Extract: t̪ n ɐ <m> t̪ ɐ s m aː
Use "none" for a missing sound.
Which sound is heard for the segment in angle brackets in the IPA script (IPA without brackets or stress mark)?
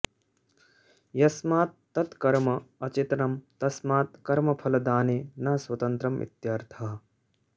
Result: m